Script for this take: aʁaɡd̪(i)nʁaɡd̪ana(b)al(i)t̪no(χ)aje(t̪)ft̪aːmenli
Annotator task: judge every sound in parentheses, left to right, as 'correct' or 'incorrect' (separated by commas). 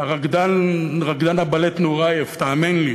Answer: incorrect, correct, incorrect, incorrect, incorrect